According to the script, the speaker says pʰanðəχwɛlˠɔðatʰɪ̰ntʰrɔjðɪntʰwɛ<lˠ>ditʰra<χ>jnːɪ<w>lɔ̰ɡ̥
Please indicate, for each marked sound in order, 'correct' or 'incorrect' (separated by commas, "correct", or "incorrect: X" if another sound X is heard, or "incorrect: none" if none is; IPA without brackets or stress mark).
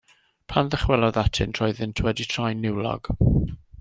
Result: incorrect: none, incorrect: none, correct